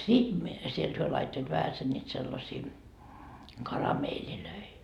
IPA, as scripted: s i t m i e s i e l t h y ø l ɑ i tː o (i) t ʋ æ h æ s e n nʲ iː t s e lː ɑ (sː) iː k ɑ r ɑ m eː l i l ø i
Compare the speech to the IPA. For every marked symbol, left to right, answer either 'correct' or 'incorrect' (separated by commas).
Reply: correct, incorrect